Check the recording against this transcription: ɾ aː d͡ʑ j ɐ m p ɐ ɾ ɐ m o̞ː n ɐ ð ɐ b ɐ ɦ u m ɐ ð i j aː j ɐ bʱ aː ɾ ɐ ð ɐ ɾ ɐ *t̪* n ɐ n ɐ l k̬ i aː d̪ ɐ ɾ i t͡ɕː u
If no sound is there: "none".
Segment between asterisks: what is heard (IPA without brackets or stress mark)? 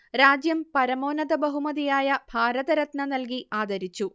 t̪